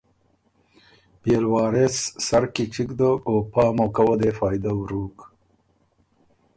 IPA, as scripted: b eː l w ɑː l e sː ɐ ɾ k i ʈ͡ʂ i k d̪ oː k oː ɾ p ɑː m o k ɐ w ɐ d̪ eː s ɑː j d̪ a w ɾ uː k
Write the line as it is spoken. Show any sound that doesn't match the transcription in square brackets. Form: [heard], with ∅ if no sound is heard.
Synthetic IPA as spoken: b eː l w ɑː [ɾ] e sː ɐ ɾ k i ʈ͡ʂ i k d̪ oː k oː [∅] p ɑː m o k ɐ w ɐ d̪ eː [f] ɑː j d̪ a w ɾ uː k